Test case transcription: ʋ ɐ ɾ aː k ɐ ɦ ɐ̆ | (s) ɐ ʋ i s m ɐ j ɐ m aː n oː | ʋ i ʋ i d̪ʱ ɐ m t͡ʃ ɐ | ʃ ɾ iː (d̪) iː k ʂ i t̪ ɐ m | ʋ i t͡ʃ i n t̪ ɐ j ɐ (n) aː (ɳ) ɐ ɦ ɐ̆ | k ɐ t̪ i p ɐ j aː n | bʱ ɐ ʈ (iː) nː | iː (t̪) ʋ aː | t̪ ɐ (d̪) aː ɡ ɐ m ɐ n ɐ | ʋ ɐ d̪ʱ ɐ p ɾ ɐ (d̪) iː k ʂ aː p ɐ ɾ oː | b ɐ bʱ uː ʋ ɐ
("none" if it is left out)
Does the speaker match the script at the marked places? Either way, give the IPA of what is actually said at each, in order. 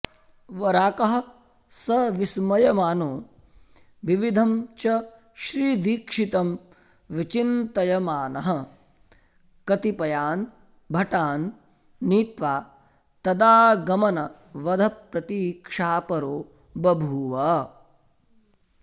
s, d̪, m, n, aː, t̪, d̪, t̪

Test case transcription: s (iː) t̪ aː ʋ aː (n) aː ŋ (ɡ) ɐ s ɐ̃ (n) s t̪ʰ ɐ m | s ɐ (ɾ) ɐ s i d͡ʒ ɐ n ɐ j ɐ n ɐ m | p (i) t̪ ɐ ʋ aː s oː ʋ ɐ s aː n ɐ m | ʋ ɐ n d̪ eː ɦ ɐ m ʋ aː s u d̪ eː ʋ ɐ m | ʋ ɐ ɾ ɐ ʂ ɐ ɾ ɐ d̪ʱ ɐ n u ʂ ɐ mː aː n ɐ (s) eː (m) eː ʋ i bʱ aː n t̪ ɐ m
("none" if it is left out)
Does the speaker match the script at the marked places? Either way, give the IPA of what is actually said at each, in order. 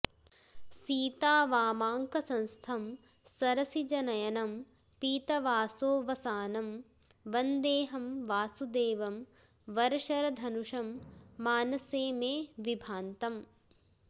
iː, m, k, n, ɾ, iː, s, m

